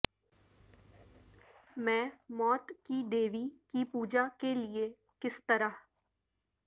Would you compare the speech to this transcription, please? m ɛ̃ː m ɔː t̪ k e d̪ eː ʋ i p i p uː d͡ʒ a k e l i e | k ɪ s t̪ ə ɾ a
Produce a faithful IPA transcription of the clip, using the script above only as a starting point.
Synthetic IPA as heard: m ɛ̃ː m ɔː t̪ k i d̪ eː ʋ i k i p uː d͡ʒ a k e l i e | k ɪ s t̪ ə ɾ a